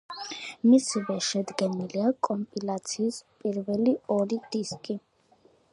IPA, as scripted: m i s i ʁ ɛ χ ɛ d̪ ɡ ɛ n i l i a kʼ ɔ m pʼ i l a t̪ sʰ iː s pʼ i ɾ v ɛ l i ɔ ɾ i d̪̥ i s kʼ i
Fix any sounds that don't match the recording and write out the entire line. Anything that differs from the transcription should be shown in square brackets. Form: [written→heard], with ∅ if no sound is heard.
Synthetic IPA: m i s i [ʁ→v] ɛ [χ→ʃ] ɛ d̪ ɡ ɛ n i l i a kʼ ɔ m pʼ i l a t̪ sʰ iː s pʼ i ɾ v ɛ l i ɔ ɾ i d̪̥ i s kʼ i